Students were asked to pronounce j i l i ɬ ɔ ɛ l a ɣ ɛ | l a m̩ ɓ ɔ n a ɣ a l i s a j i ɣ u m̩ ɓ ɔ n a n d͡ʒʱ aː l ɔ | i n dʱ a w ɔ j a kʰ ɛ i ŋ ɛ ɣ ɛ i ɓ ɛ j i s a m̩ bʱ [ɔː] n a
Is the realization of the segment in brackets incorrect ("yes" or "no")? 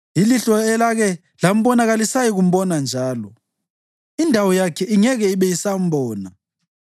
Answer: no